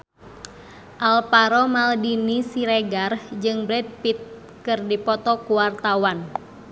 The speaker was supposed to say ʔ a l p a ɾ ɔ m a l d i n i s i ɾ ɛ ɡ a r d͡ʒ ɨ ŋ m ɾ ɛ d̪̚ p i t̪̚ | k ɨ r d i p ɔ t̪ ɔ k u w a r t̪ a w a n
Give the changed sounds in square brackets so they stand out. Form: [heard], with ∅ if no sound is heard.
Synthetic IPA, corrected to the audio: ʔ a l p a ɾ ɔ m a l d i n i s i ɾ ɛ ɡ a r d͡ʒ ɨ ŋ [b] ɾ ɛ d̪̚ p i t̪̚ | k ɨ r d i p ɔ t̪ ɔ k u w a r t̪ a w a n